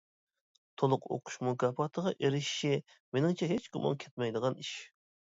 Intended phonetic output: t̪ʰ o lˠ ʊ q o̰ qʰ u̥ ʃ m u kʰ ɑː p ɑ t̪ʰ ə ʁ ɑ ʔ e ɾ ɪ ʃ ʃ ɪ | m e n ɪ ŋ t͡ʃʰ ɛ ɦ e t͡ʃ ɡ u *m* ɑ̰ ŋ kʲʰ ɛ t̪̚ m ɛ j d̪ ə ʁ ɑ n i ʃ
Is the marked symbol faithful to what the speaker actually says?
yes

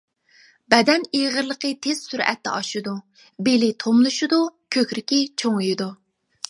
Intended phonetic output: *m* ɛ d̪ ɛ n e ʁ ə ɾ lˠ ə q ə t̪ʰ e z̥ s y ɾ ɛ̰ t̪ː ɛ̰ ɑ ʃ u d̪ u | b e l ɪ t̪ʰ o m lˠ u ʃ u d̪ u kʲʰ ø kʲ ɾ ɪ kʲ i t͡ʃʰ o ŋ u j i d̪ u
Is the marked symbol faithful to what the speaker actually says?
no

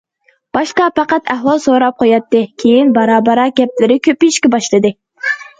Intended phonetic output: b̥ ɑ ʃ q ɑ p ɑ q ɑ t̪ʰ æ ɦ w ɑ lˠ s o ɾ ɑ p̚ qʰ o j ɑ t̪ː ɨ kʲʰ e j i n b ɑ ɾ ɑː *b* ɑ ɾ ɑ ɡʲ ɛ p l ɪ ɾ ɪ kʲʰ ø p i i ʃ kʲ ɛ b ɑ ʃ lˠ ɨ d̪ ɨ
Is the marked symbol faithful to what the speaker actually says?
yes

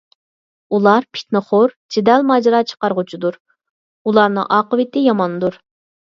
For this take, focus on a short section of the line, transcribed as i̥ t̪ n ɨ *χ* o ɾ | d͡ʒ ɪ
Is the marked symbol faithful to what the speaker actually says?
yes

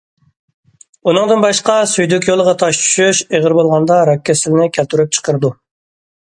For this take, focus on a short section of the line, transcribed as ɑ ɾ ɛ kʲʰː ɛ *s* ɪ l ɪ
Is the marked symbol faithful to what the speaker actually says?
yes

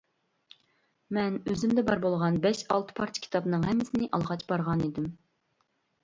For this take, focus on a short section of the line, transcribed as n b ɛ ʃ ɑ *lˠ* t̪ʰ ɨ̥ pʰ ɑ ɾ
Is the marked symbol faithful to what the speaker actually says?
yes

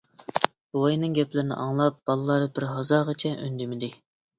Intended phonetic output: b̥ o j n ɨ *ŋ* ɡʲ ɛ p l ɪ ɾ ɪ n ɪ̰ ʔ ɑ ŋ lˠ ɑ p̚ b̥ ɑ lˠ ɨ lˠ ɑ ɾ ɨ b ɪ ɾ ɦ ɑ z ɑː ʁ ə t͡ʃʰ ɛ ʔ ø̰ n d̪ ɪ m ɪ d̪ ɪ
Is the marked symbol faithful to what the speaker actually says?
yes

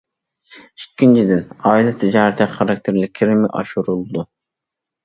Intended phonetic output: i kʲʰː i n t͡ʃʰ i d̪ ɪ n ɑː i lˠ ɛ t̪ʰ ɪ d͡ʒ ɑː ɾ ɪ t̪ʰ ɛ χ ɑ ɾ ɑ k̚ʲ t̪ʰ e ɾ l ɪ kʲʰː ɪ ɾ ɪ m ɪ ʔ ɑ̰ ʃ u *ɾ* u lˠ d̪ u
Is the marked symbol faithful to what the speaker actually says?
yes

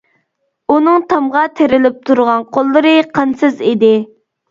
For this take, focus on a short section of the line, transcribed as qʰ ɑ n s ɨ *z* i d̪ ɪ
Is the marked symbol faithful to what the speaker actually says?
yes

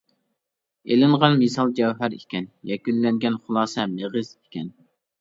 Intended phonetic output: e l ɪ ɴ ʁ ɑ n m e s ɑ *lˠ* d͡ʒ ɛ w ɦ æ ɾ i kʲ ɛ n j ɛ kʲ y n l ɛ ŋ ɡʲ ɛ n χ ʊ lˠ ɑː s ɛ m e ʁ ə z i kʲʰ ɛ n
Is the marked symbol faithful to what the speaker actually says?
yes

